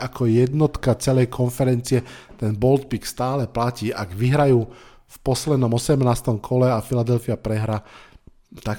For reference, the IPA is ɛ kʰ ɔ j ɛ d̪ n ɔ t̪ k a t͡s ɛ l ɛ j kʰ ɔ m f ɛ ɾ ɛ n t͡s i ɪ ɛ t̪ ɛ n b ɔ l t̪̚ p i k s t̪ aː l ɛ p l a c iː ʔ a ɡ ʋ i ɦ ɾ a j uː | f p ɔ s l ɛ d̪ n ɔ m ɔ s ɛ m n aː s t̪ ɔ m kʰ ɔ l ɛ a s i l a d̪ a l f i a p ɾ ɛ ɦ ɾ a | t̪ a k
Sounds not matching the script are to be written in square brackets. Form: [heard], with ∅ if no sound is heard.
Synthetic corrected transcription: [a] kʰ ɔ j ɛ d̪ n ɔ t̪ k a t͡s ɛ l ɛ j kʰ ɔ [n] f ɛ ɾ ɛ n t͡s i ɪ ɛ t̪ ɛ n b ɔ l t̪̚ p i k s t̪ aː l ɛ p l a c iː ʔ a ɡ ʋ i ɦ ɾ a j uː | f p ɔ s l ɛ d̪ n ɔ m ɔ s ɛ m n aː s t̪ ɔ m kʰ ɔ l ɛ a [f] i l a d̪ [ɛ] l f i a p ɾ ɛ ɦ ɾ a | t̪ a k